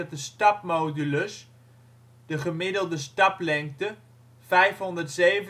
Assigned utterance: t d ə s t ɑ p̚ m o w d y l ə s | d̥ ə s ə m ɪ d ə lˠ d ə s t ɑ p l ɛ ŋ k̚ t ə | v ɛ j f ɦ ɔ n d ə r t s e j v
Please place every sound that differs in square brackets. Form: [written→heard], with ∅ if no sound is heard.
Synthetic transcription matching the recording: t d ə s t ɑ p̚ m o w d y l ə s | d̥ ə [s→χ] ə m ɪ d ə lˠ d ə s t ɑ p l ɛ ŋ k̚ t ə | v ɛ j f ɦ ɔ n d ə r t s e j v